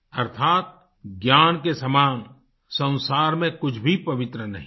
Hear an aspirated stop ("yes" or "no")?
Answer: yes